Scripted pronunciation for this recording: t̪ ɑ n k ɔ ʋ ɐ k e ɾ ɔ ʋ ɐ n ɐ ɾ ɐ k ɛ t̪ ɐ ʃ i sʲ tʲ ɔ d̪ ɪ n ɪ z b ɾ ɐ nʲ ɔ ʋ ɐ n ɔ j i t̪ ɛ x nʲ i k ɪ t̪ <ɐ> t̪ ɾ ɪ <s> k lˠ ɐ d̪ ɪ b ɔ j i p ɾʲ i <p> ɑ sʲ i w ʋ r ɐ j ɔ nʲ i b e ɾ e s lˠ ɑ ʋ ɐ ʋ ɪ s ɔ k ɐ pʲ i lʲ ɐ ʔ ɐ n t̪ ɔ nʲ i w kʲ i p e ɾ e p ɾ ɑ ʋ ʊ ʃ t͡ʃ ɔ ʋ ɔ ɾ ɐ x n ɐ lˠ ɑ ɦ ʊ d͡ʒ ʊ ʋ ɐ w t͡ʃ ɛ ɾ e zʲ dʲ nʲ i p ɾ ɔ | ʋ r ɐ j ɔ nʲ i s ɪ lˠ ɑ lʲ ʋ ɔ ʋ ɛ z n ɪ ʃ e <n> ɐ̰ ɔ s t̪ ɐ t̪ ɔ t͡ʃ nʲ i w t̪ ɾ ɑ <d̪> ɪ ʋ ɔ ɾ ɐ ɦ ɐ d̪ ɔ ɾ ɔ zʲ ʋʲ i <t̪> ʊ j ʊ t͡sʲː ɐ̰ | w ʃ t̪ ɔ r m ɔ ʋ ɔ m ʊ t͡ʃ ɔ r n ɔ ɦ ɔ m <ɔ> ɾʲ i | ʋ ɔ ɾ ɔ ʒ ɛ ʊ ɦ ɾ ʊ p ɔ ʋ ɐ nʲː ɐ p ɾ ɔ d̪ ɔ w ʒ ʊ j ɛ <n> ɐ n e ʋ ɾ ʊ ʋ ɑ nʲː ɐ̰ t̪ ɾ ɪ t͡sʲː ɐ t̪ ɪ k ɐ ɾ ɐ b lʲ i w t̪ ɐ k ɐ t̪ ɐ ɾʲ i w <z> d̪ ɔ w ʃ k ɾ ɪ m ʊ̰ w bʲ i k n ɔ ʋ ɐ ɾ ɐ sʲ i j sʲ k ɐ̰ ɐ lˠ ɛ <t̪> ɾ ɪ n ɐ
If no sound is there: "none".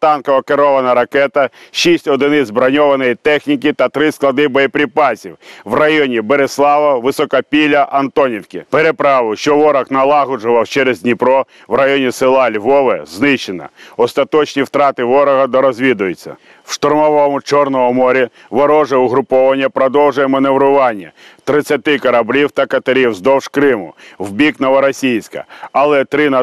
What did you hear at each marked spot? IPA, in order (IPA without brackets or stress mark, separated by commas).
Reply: ɐ, s, p, n, t̪, d̪, ɔ, m, z, t̪